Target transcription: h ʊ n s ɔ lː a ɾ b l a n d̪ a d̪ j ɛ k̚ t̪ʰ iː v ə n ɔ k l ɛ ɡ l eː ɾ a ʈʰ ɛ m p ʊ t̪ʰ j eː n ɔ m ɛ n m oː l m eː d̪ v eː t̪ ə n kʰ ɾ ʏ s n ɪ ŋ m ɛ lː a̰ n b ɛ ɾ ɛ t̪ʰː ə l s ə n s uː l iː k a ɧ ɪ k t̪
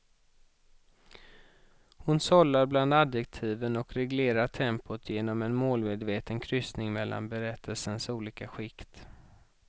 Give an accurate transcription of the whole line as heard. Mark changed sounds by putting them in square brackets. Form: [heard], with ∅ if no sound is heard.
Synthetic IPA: h ʊ n s ɔ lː a ɾ b l a n d̪ a d̪ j ɛ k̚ t̪ʰ iː v ə n ɔ k [ɾ] ɛ ɡ l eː ɾ a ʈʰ ɛ m p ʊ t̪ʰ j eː n ɔ m ɛ n m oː l m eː d̪ v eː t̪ ə n kʰ ɾ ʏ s n ɪ ŋ m ɛ lː a̰ n b ɛ ɾ ɛ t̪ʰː ə l s ə n s uː l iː k a ɧ ɪ k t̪

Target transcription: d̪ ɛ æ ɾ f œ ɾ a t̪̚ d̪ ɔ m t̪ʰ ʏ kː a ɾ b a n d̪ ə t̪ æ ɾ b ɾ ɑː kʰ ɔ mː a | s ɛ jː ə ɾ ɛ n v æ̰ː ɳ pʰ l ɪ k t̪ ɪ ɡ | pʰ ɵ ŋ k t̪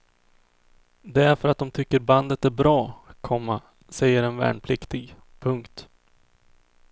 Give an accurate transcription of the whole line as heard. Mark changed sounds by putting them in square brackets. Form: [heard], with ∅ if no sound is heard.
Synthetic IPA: d̪ ɛ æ ɾ f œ ɾ a t̪̚ d̪ ɔ m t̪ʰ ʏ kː [ə] ɾ b a n d̪ ə t̪ æ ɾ b ɾ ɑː kʰ ɔ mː a | s ɛ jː ə ɾ ɛ n v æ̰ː ɳ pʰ l ɪ k t̪ ɪ ɡ | pʰ ɵ ŋ k t̪

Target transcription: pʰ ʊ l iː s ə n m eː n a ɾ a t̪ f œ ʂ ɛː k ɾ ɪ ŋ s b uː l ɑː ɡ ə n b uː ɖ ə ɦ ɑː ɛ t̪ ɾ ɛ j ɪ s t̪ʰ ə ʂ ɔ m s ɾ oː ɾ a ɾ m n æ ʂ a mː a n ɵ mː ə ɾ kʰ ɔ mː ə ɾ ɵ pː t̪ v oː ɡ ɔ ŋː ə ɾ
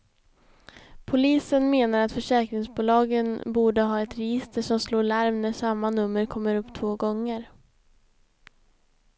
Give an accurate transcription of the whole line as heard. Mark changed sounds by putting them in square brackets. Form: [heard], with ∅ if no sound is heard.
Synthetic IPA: pʰ ʊ l iː s ə n m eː n a ɾ a t̪ f œ ʂ ɛː k ɾ ɪ ŋ s b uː l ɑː ɡ ə n b uː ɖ ə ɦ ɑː ɛ t̪ ɾ ɛ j ɪ s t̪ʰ ə ʂ ɔ m s [l] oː [ɭ] a ɾ m n æ ʂ a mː a n ɵ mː ə ɾ kʰ ɔ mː ə ɾ ɵ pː [t̪ʰ] v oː ɡ ɔ ŋː ə ɾ

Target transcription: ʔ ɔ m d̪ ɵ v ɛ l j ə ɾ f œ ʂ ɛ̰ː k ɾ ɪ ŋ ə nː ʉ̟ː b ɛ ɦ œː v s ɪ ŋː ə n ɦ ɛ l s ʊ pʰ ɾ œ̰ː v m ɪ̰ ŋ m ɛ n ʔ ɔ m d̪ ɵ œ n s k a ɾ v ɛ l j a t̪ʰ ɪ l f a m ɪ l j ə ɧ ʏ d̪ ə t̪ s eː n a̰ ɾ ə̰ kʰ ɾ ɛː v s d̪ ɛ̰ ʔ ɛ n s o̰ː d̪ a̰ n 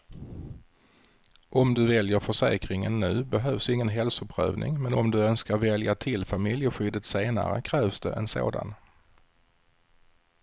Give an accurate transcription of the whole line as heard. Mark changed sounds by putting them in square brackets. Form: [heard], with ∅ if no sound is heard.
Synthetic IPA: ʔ ɔ m d̪ ɵ v ɛ l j ə ɾ f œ ʂ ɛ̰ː k ɾ ɪ ŋ ə nː ʉ̟ː b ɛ ɦ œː v s ɪ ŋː ə n ɦ ɛ l s ʊ pʰ ɾ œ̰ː v [n] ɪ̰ ŋ m ɛ n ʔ ɔ m d̪ ɵ œ n s k a ɾ v ɛ l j a t̪ʰ ɪ l f a m ɪ l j ə ɧ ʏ d̪ ə t̪ s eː n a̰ ɾ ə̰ kʰ ɾ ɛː v s d̪ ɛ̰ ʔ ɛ n s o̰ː d̪ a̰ n

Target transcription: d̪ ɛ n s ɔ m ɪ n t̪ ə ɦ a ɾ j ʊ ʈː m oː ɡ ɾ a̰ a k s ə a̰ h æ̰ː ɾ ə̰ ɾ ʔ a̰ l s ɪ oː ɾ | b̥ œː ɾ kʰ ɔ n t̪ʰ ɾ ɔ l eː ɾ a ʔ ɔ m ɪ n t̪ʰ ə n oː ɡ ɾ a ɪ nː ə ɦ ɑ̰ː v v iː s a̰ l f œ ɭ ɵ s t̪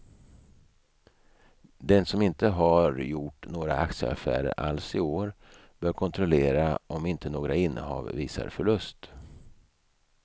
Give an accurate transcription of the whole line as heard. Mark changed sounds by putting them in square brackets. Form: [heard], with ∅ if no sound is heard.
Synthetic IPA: d̪ ɛ n s ɔ m ɪ n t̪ ə ɦ a ɾ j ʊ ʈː [n] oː ɡ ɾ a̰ a k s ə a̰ [f] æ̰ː ɾ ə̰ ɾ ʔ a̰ l s ɪ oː ɾ | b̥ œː ɾ kʰ ɔ n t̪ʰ ɾ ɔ l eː ɾ a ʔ ɔ m ɪ n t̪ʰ ə n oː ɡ ɾ a ɪ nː ə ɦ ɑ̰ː v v iː s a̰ [ɾ] f œ ɭ ɵ s t̪

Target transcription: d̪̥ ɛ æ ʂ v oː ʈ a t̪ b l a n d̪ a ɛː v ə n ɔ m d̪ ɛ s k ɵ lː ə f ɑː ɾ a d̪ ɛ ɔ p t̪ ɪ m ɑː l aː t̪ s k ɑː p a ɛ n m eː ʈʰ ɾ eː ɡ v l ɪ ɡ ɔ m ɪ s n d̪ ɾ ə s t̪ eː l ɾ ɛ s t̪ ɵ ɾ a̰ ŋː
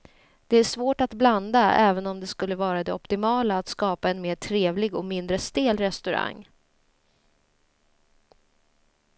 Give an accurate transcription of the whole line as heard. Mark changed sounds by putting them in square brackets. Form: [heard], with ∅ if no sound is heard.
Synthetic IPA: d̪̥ ɛ æ ʂ v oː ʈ a t̪ b l a n d̪ a ɛː v ə n ɔ m d̪ ɛ s k ɵ lː ə [v] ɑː ɾ a d̪ ɛ ɔ p t̪ ɪ m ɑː l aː t̪ s k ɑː p a ɛ n m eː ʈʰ ɾ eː [∅] v l ɪ ɡ ɔ m ɪ [∅] n d̪ ɾ ə s t̪ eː l ɾ ɛ s t̪ ɵ ɾ a̰ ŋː

